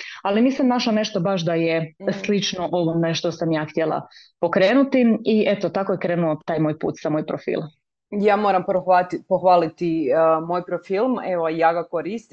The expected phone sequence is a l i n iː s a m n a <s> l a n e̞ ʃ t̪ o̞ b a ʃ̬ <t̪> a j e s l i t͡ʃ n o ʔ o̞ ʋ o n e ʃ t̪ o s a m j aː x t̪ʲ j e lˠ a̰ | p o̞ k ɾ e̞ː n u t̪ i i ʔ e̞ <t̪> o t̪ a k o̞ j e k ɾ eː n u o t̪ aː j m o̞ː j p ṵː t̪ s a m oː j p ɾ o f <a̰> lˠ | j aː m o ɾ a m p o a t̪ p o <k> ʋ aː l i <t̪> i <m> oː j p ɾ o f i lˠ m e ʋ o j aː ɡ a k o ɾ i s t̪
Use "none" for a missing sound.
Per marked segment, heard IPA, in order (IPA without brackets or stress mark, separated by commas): ʃ, d̪, t̪, ḭ, x, t̪, m